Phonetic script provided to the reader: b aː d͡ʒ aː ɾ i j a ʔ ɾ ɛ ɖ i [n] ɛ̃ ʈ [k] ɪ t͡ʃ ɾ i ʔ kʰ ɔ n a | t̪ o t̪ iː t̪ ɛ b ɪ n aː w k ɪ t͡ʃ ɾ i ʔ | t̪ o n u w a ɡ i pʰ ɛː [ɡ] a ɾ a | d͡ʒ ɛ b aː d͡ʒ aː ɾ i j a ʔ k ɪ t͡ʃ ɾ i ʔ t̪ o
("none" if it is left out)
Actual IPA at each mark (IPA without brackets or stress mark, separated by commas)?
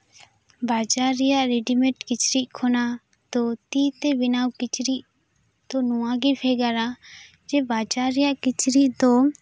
m, k, ɡ